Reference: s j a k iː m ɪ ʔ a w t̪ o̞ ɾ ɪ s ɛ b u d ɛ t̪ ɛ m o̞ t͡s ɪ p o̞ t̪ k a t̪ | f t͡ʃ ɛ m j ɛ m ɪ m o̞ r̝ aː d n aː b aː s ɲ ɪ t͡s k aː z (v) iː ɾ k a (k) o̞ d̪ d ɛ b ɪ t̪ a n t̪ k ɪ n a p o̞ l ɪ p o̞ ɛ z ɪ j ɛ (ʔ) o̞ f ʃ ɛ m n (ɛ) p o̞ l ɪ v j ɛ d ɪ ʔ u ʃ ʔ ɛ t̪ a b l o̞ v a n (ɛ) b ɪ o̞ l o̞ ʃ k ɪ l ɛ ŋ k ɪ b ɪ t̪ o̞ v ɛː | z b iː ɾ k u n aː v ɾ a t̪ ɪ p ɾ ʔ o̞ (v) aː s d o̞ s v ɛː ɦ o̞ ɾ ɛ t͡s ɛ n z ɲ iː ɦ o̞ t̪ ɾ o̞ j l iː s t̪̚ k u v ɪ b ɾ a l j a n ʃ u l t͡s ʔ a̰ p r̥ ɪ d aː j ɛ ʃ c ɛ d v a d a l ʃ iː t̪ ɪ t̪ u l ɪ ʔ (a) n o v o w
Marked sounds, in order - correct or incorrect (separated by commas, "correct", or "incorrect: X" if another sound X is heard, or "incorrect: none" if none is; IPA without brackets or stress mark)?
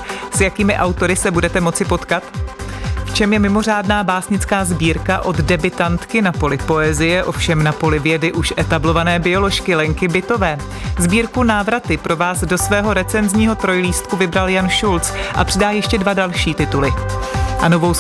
incorrect: b, incorrect: ʔ, correct, incorrect: a, incorrect: ɛː, correct, correct